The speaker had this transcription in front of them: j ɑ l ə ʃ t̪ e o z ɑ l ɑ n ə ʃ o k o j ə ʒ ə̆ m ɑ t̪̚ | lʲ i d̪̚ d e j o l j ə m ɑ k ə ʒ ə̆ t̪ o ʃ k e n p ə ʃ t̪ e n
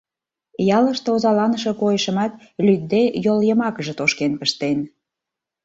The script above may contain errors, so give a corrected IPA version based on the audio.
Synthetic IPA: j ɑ l ə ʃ t̪ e o z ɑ l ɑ n ə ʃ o k o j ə ʃ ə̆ m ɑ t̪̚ | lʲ y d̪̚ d e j o l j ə m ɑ k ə ʒ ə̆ t̪ o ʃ k e n p ə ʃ t̪ e n